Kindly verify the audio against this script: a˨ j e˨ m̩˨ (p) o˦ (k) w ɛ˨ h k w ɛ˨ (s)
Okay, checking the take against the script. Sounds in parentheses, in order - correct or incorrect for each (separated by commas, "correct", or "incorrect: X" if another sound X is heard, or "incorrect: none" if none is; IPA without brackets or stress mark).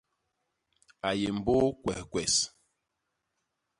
incorrect: b, correct, correct